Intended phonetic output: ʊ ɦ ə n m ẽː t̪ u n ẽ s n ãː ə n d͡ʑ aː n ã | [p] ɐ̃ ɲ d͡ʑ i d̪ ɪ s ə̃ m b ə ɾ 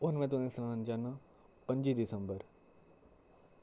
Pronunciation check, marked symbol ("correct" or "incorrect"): correct